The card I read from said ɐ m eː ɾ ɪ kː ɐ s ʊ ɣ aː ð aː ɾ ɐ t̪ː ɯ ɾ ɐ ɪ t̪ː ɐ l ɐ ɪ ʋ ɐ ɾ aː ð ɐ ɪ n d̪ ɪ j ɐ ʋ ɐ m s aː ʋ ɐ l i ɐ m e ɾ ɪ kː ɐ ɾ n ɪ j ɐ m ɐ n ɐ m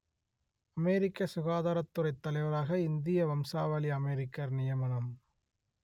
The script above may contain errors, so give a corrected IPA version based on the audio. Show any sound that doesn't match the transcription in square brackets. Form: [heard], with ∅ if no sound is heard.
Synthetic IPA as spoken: ɐ m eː ɾ ɪ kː ɐ s ʊ ɣ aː ð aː ɾ ɐ t̪ː ɯ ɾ ɐ ɪ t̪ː ɐ l ɐ ɪ ʋ ɐ ɾ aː [ɣ] ɐ ɪ n d̪ ɪ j ɐ ʋ ɐ m s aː ʋ ɐ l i ɐ m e ɾ ɪ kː ɐ ɾ n ɪ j ɐ m ɐ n ɐ m